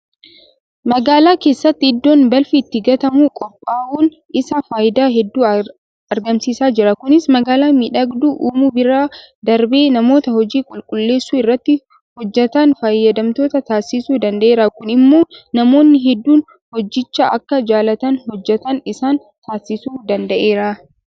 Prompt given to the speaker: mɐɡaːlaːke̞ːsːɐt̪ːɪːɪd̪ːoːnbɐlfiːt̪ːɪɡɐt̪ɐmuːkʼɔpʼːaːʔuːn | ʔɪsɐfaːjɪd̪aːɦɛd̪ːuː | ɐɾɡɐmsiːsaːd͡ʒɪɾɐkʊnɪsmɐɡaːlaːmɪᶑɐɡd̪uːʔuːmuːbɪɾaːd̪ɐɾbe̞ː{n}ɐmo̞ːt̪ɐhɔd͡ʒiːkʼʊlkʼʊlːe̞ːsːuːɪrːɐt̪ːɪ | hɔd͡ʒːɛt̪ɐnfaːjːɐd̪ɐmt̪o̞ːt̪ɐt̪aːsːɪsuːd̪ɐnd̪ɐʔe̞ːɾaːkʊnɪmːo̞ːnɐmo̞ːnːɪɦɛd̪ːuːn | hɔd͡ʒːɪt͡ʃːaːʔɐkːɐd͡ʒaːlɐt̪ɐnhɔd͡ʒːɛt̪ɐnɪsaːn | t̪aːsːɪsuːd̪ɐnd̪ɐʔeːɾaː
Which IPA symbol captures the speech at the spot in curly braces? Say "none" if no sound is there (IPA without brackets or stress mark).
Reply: n